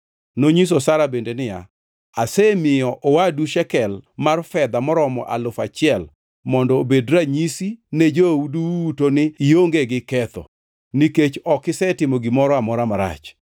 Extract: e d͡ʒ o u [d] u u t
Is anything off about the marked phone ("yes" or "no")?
no